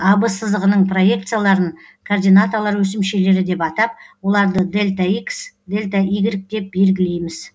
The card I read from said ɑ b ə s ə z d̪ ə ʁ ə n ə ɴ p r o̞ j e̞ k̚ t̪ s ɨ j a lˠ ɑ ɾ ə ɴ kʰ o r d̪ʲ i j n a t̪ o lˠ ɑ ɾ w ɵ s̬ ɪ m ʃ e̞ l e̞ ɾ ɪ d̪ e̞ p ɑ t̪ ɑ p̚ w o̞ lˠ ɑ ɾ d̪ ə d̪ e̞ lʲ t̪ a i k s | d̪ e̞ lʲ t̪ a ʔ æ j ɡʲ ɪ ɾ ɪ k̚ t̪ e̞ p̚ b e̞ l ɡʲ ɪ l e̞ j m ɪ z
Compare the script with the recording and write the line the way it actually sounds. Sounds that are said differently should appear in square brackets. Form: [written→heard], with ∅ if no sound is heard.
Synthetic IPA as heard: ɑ b ə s ə z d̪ ə ʁ ə n ə ɴ p r o̞ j e̞ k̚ t̪ s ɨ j a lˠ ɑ ɾ ə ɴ kʰ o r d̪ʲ i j n a t̪ o lˠ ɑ ɾ w ɵ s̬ ɪ m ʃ e̞ l e̞ ɾ ɪ d̪ e̞ p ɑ t̪ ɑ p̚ w o̞ lˠ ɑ ɾ d̪ ə d̪ e̞ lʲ t̪ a i k s | d̪ e̞ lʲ t̪ a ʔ [æ→i] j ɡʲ ɪ ɾ ɪ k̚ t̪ e̞ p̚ b e̞ l ɡʲ ɪ l e̞ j m ɪ z